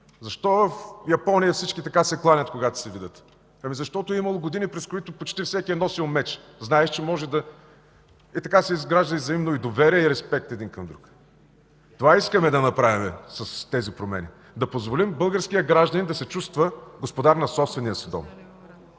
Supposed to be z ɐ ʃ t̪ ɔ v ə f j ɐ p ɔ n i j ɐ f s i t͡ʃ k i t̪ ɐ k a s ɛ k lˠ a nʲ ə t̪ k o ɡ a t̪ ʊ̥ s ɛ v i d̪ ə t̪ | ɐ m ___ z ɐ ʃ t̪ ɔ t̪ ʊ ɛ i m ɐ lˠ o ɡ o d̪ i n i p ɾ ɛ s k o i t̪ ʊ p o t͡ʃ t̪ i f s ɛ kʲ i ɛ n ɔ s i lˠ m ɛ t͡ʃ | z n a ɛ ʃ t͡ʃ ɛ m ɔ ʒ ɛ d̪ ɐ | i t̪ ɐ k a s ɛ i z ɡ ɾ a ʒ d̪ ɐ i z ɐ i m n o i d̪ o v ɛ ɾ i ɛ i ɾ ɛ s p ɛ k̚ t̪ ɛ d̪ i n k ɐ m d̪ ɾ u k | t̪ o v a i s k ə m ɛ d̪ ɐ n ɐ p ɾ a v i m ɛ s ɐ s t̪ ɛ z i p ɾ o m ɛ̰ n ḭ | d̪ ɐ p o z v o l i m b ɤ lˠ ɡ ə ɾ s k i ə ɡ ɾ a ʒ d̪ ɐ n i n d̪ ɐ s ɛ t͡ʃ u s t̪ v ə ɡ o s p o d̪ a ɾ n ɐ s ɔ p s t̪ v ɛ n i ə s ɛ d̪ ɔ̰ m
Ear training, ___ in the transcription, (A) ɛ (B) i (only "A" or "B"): B